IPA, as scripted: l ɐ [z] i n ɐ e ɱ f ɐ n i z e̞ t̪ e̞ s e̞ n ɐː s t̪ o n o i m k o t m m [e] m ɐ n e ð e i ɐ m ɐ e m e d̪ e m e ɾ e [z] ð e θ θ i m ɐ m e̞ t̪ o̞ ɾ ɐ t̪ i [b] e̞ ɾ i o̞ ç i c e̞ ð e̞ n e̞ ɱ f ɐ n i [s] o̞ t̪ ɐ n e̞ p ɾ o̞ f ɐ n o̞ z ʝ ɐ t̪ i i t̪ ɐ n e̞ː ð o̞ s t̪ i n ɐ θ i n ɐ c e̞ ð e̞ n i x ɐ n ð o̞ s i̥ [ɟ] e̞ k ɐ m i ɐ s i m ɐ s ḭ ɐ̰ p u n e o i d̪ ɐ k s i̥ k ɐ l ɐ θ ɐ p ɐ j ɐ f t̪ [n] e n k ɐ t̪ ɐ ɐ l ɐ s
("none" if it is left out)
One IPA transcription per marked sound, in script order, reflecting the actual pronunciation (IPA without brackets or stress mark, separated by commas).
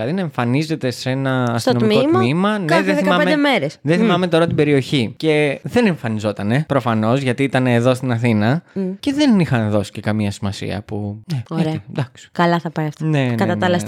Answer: ð, i, s, b, z, c, n